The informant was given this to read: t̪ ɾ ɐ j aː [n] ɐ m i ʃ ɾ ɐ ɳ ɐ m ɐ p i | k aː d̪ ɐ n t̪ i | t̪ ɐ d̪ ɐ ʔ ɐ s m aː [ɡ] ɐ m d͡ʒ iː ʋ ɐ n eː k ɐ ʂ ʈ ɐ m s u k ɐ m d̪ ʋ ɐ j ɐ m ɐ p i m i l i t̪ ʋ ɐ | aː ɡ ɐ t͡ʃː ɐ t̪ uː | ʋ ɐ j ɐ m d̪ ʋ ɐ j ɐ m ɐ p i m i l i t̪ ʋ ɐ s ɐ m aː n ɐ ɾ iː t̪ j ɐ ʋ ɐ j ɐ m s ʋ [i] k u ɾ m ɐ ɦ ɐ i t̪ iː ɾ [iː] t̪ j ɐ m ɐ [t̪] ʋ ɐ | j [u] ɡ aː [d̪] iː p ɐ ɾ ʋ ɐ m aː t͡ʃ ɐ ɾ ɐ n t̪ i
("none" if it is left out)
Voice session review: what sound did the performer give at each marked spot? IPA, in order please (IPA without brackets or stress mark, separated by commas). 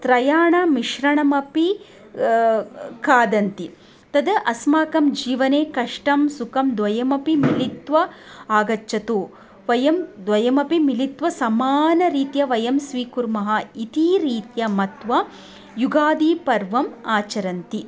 ɳ, k, iː, iː, t̪, u, d̪